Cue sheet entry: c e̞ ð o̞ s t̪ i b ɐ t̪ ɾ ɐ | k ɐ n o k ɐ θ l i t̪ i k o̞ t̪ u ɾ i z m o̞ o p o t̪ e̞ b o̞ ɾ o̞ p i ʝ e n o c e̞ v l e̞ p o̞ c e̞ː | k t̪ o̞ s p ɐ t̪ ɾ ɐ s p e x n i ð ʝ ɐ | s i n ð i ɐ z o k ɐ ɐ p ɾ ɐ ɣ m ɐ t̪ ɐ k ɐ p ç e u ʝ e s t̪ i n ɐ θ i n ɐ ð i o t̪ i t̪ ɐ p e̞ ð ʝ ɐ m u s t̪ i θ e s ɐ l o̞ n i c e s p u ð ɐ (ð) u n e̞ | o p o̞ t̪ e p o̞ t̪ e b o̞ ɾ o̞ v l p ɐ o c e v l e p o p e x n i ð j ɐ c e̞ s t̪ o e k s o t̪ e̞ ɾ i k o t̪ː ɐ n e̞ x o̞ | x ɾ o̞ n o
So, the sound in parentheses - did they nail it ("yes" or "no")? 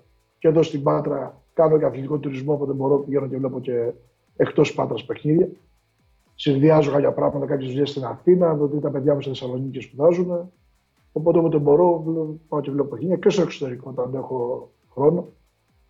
no